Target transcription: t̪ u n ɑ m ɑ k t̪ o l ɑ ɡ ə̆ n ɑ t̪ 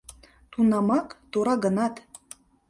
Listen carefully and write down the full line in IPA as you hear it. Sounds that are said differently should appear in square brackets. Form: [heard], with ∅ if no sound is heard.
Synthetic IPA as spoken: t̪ u n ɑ m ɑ k t̪ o [ɾ] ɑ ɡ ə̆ n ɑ t̪